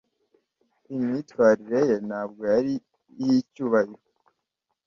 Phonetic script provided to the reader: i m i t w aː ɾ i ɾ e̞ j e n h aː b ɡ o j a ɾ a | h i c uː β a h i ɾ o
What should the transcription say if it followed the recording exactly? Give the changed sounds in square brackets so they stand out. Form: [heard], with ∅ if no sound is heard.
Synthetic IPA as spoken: i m i t w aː ɾ i ɾ e̞ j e n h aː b ɡ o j a ɾ [i] | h i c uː β a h i ɾ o